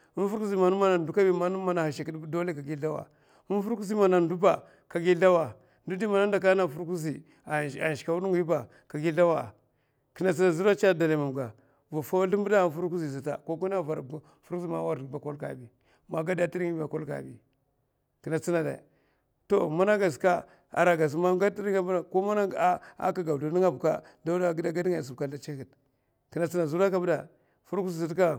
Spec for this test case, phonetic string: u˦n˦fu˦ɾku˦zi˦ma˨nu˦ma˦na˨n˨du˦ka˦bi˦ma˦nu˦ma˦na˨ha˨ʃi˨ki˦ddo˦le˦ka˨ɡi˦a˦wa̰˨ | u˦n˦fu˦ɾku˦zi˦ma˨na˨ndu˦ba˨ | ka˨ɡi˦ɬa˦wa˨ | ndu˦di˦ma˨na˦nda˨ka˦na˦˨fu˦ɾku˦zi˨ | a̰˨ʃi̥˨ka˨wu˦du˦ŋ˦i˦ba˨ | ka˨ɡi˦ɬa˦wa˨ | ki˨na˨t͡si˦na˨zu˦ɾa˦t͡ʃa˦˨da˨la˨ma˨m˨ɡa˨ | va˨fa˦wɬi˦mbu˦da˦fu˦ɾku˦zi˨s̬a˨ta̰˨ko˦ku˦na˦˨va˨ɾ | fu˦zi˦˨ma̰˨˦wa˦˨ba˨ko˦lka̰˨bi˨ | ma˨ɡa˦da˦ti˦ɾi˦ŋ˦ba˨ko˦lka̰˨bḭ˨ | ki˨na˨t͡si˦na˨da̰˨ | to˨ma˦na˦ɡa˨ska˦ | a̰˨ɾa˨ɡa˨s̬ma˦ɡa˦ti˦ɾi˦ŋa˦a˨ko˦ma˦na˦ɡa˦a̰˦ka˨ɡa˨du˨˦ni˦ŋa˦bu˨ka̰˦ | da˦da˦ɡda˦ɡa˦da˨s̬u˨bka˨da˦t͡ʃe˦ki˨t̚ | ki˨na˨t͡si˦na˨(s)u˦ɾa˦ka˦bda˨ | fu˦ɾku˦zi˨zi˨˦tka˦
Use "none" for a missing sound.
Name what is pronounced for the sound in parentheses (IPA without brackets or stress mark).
z